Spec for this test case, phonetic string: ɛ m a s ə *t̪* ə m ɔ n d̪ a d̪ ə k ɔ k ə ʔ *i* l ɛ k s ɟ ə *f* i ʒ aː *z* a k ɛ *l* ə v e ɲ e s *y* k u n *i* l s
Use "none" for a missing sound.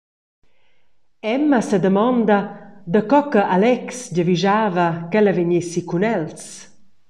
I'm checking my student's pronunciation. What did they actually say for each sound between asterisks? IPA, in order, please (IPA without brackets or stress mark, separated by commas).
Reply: d̪, a, v, v, l, i, ɛ